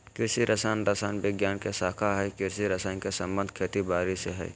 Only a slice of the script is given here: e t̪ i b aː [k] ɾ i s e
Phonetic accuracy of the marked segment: incorrect: none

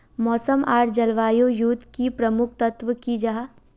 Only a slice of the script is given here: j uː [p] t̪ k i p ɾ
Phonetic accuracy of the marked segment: incorrect: none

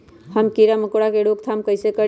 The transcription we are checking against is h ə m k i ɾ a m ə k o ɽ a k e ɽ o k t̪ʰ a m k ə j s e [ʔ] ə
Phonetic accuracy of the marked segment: incorrect: k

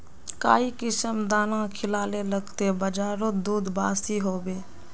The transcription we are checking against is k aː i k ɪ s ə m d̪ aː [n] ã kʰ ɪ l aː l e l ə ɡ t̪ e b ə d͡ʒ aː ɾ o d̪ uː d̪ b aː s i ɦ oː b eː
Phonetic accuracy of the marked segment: correct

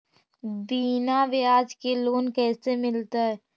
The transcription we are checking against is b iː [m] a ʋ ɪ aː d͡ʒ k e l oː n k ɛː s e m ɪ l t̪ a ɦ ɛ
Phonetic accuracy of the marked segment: incorrect: n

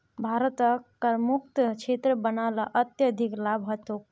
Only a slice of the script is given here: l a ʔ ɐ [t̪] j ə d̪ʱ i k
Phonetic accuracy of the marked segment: correct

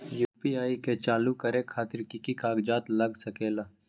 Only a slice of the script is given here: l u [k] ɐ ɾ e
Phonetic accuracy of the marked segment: correct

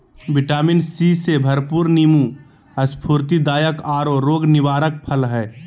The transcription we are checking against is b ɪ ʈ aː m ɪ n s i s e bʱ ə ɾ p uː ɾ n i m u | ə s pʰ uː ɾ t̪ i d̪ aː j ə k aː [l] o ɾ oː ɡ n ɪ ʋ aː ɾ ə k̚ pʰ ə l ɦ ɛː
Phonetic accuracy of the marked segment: incorrect: ɾ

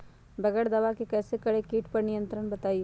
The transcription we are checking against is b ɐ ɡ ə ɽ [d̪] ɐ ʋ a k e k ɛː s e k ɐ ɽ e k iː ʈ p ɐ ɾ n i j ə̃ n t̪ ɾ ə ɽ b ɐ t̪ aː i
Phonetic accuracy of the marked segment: correct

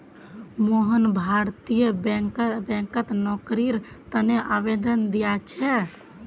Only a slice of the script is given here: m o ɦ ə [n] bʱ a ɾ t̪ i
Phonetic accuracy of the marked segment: correct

